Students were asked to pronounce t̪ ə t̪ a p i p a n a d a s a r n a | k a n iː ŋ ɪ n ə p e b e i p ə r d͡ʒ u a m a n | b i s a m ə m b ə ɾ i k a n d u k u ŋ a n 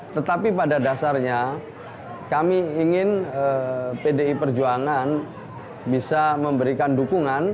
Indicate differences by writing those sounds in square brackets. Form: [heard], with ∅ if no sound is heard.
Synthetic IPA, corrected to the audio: t̪ ə t̪ a p i p a [d] a d a s a r [ɲ] a | k a [m] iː ŋ ɪ n ə p e [d] e i p ə r d͡ʒ u a [ŋ] a n | b i s a m ə m b ə ɾ i k a n d u k u ŋ a n